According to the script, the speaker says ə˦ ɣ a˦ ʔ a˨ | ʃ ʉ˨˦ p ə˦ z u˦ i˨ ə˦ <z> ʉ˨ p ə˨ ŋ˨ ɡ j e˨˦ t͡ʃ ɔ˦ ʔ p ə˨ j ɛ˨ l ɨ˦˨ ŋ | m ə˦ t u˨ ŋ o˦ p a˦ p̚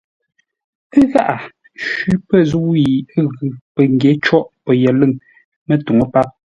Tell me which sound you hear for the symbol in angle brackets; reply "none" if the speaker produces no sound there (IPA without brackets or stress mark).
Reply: ɣ